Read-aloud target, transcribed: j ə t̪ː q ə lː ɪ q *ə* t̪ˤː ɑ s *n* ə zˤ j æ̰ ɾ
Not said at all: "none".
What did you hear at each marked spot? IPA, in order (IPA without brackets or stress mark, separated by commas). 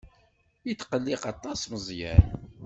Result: ɑ, m